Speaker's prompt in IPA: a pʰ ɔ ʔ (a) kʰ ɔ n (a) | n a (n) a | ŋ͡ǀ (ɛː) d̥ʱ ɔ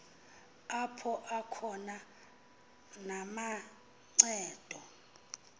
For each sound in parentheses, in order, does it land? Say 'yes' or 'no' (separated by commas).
yes, yes, no, yes